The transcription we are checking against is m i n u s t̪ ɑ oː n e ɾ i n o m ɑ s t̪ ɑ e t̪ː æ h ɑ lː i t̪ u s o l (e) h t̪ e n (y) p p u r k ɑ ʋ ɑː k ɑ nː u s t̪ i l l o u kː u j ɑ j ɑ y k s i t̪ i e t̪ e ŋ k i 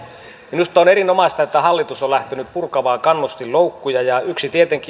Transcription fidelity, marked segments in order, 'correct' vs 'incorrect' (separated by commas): incorrect, correct